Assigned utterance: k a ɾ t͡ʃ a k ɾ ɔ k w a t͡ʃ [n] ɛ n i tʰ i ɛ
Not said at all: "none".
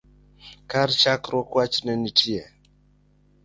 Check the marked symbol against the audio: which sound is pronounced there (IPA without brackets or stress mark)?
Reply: n